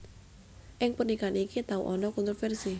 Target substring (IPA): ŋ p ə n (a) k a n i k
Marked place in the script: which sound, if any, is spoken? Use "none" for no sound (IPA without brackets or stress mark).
i